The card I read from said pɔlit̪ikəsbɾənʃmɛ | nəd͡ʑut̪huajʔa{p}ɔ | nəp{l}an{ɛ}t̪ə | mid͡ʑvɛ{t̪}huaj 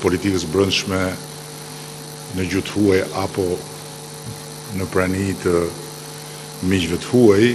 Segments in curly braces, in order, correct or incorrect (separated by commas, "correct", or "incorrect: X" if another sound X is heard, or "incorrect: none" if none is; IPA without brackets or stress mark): correct, incorrect: ɾ, incorrect: i, correct